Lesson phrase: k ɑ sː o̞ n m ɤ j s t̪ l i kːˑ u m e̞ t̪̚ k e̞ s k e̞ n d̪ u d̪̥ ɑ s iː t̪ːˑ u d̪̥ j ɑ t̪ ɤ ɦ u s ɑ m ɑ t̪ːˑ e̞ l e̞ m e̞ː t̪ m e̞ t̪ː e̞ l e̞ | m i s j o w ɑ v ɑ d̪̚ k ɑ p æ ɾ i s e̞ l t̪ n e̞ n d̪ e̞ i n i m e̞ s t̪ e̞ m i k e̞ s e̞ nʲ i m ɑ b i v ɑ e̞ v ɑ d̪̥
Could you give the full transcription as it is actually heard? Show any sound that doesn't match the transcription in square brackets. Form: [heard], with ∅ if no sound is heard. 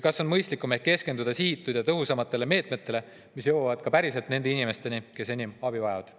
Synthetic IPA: k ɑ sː o̞ n m ɤ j s t̪ l i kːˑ u m e̞ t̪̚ k e̞ s k e̞ n d̪ u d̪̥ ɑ s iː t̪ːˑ u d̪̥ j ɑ t̪ ɤ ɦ u s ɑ m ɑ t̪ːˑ e̞ l e̞ m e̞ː t̪ m e̞ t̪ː e̞ l e̞ | m i s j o w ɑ v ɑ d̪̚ k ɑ p æ ɾ i s e̞ l t̪ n e̞ n d̪ e̞ i n i m e̞ s t̪ e̞ [n] i k e̞ s e̞ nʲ i m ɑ b i v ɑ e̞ v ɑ d̪̥

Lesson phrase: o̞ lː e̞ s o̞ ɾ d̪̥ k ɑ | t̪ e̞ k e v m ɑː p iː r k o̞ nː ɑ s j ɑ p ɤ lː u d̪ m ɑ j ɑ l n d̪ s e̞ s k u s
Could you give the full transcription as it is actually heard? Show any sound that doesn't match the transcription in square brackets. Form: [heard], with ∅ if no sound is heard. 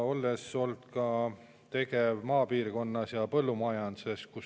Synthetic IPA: o̞ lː e̞ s o̞ [l] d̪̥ k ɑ | t̪ e̞ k e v m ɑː p iː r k o̞ nː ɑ s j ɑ p ɤ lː u [∅] m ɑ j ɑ [∅] n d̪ s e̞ s k u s

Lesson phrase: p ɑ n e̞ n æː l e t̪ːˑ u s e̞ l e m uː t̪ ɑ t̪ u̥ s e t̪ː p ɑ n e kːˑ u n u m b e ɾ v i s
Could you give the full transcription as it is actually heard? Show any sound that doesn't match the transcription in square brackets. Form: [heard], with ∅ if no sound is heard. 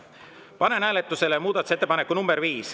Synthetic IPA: p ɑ n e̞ n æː l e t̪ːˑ u s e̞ l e m uː [d̪] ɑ t̪ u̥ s e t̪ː p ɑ n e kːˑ u n u m b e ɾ v [iː] s

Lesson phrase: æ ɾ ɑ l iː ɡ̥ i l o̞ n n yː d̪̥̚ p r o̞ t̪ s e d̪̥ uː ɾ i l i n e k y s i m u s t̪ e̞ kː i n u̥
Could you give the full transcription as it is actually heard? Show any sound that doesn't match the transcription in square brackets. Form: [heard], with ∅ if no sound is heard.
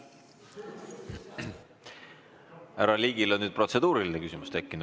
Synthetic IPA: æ ɾ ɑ l iː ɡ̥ i l o̞ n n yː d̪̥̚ p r o̞ t̪ s e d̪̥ uː ɾ i l i n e k y s i m u s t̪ e̞ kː i n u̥

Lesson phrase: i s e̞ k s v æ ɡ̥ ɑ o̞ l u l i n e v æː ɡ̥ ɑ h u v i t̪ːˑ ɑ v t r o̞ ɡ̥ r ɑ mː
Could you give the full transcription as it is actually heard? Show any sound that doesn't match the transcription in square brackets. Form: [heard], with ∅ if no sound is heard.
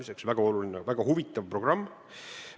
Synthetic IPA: i s e̞ k s v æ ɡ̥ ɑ o̞ l u l i n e v [æ] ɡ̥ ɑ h u v i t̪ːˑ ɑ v [p] r o̞ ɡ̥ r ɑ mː

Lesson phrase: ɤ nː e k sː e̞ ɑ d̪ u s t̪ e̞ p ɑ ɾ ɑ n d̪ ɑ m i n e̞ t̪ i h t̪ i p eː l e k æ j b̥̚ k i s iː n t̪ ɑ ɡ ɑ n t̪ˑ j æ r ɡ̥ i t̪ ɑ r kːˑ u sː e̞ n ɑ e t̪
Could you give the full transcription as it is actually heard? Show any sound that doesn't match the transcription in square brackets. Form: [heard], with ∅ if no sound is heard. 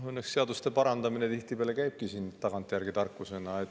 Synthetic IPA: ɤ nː e k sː e̞ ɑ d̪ u s t̪ e̞ p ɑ ɾ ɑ n d̪ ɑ m i n e̞ t̪ i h t̪ i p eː l e k æ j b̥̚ k i s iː n t̪ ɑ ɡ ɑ n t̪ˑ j æ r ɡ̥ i t̪ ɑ r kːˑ u [s] e̞ n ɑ e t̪

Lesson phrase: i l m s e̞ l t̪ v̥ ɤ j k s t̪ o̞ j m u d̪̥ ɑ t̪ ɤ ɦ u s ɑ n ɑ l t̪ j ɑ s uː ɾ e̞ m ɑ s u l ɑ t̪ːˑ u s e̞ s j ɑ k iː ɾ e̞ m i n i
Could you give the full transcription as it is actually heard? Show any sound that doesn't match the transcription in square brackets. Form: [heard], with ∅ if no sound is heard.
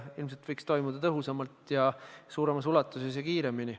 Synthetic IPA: i l m s e̞ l t̪ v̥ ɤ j k s t̪ o̞ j m u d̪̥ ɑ t̪ ɤ ɦ u s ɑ [m] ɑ l t̪ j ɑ s uː ɾ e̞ m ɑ s u l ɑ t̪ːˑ u s e̞ s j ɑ k iː ɾ e̞ m i n i

